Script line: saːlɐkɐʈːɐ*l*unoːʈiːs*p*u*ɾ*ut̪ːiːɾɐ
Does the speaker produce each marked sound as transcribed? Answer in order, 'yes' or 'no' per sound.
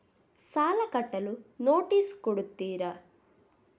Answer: yes, no, no

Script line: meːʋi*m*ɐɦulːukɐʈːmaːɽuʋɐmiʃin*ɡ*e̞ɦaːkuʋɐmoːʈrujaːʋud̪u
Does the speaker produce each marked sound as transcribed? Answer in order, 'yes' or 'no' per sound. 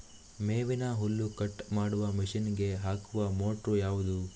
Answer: no, yes

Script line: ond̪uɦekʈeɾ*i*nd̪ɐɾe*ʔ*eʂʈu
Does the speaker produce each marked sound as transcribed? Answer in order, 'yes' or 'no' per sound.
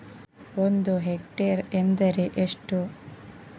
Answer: no, yes

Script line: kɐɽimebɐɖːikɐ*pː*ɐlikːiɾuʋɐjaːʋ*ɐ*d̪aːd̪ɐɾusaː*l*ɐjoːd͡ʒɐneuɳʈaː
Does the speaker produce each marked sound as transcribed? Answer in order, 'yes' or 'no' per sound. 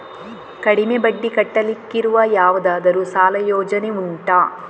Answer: no, yes, yes

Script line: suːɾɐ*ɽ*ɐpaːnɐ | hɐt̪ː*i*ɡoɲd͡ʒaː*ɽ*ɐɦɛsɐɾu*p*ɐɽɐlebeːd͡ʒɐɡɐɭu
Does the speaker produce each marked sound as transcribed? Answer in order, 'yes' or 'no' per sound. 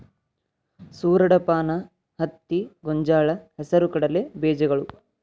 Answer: yes, yes, no, no

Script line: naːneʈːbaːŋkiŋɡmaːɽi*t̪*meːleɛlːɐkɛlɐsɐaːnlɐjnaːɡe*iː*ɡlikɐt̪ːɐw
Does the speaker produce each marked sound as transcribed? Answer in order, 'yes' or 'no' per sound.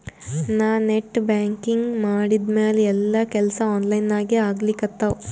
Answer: no, no

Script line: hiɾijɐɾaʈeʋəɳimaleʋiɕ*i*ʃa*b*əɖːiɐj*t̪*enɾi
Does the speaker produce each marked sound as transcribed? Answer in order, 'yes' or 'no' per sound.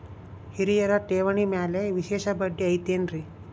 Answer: no, yes, yes

